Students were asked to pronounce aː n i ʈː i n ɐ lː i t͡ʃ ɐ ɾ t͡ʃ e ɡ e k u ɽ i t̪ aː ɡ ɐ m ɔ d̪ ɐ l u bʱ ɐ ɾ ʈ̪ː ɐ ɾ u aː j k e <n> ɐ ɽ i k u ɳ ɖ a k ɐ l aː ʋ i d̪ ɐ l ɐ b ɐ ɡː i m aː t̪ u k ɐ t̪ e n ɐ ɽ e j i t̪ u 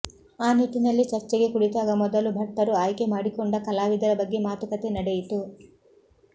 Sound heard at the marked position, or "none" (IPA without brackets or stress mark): m